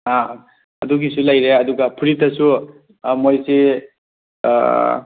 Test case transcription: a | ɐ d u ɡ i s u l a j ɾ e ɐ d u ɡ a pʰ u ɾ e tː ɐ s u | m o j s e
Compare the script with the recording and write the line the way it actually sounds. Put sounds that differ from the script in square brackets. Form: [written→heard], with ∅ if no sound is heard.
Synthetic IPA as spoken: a | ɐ d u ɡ i s u l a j ɾ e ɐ d u ɡ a pʰ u ɾ [e→i] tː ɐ s u | m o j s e